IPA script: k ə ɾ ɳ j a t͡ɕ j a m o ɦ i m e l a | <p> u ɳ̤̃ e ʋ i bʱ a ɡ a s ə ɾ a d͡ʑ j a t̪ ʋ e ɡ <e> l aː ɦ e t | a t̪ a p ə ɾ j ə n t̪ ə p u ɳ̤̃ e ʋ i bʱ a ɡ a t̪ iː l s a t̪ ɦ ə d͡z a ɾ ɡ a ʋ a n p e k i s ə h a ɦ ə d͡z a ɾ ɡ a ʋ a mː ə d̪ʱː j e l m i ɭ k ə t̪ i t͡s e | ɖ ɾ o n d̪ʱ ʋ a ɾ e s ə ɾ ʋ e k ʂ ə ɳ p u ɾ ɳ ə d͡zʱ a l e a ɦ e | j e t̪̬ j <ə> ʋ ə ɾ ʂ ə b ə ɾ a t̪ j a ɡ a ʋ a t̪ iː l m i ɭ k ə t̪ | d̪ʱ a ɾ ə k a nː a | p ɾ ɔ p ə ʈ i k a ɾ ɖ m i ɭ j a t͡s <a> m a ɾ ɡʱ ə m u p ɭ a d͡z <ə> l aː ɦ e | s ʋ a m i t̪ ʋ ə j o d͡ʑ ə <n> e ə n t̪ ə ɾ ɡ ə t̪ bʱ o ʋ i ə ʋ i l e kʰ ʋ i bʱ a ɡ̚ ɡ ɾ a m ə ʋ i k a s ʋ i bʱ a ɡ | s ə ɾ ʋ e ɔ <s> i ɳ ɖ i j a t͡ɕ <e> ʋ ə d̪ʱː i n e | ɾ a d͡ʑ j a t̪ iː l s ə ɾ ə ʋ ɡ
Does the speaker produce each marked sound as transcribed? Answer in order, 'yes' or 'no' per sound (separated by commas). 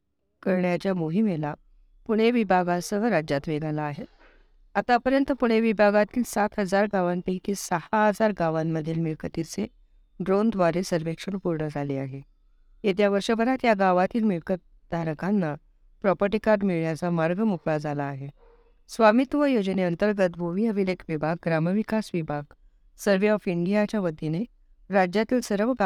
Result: yes, no, no, yes, no, yes, no, no